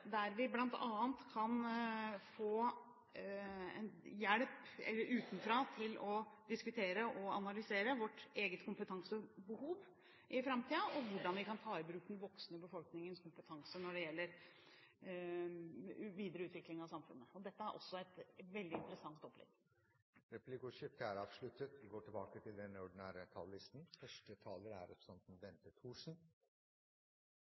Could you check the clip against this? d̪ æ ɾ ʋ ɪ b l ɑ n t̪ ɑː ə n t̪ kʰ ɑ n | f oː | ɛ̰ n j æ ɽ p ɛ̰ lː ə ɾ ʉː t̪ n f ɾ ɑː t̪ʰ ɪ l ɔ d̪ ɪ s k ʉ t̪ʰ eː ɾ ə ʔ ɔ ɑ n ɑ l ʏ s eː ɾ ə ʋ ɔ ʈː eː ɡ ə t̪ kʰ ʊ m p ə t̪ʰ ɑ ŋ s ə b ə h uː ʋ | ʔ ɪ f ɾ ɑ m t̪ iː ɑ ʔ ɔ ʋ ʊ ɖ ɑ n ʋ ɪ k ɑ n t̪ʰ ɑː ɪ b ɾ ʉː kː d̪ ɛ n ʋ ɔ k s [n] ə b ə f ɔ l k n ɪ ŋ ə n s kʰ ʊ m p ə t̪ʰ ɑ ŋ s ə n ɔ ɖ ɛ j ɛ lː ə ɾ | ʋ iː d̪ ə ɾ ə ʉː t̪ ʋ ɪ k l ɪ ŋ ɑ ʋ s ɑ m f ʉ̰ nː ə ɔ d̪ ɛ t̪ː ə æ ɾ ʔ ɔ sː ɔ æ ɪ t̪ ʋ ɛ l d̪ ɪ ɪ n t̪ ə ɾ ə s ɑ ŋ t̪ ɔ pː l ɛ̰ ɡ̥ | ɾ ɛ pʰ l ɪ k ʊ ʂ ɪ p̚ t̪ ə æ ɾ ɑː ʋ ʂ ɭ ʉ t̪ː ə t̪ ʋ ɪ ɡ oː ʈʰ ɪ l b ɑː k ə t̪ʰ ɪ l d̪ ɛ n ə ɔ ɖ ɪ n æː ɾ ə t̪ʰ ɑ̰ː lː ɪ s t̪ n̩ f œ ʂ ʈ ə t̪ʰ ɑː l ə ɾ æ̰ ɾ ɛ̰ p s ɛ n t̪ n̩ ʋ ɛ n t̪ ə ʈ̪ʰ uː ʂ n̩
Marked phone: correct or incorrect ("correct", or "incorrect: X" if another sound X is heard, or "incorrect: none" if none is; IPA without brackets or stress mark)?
correct